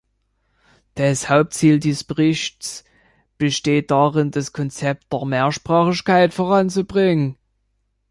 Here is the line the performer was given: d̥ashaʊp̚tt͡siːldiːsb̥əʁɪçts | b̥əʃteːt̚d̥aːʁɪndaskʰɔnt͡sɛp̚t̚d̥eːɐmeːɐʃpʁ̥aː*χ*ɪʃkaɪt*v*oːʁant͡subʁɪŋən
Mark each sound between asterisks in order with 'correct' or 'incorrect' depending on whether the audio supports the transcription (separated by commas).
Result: correct, incorrect